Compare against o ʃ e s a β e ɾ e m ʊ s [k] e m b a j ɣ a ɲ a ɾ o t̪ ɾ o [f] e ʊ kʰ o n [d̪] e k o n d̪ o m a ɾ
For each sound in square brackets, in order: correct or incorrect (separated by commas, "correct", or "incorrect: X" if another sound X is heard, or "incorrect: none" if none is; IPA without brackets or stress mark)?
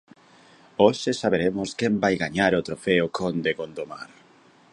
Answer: correct, correct, correct